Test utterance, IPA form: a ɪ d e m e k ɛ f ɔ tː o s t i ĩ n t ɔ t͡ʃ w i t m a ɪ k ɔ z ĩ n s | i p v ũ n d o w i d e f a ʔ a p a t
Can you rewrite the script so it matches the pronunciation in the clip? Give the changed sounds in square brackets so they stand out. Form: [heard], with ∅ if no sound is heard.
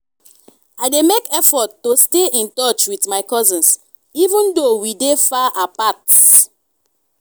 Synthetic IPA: a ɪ d e m e k ɛ f ɔ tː o s t [e] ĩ n t ɔ t͡ʃ w i t m a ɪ k ɔ z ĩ n s | i [∅] v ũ n d o w i d e f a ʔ a p a t